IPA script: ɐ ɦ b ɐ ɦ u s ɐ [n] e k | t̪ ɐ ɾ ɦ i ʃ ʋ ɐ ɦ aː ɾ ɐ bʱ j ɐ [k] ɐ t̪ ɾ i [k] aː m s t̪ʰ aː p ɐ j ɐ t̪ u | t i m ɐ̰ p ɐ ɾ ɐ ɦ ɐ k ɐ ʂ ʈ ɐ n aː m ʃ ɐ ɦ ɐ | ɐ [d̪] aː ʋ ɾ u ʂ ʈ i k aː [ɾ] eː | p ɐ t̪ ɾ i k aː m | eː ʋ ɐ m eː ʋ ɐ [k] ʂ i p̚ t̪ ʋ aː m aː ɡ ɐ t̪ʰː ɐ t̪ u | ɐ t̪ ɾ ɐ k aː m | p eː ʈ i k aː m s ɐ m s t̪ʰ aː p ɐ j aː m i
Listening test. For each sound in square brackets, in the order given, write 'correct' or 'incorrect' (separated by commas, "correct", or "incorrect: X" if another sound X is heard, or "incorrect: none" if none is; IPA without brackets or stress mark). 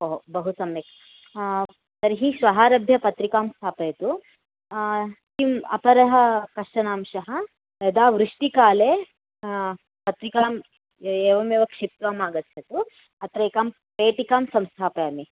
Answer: incorrect: m, incorrect: p, correct, correct, incorrect: l, correct